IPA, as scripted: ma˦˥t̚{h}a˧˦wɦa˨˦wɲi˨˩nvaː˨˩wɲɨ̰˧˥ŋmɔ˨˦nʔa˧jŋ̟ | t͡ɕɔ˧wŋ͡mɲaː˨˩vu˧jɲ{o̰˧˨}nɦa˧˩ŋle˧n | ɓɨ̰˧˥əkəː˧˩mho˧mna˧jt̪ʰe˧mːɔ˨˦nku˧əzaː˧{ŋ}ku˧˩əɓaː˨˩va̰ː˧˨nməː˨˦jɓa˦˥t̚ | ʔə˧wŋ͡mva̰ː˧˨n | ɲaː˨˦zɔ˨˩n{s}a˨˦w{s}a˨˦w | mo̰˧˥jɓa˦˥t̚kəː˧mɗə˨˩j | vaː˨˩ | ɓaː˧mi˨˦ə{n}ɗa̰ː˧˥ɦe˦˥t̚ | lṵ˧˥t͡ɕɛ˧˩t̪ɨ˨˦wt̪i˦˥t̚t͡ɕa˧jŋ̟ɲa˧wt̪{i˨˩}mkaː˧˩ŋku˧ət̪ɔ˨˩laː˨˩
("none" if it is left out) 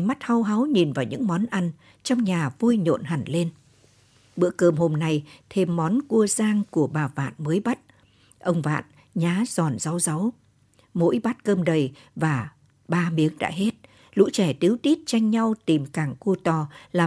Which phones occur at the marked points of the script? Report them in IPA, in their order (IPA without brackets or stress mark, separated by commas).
h, o̰˧˨, ŋ, z, z, ŋ, i˨˩